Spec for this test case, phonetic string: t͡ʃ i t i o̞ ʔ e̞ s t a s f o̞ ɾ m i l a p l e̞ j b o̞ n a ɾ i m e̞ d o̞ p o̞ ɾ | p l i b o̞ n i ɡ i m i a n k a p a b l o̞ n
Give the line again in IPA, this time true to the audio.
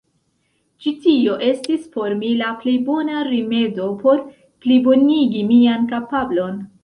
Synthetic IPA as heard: t͡ʃ i t i o̞ ʔ e̞ s t i s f o̞ ɾ m i l a p l e̞ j b o̞ n a ɾ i m e̞ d o̞ p o̞ ɾ | p l i b o̞ n i ɡ i m i a n k a p a b l o̞ n